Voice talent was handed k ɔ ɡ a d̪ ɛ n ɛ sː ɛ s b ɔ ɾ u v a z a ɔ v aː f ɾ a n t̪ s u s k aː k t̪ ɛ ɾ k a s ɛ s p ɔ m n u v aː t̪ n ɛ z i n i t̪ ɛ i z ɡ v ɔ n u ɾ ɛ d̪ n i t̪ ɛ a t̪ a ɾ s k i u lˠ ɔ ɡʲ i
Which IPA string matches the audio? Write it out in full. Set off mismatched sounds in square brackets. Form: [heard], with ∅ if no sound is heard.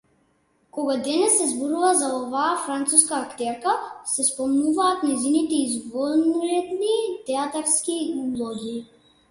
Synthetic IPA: k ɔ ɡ a d̪ ɛ n ɛ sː ɛ [z] b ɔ ɾ u v a z a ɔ v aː f ɾ a n t̪ s u s k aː k t̪ ɛ ɾ k a s ɛ s p ɔ m n u v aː t̪ n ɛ z i n i t̪ ɛ i z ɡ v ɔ n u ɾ ɛ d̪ n i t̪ ɛ a t̪ a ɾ s k i u lˠ ɔ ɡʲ i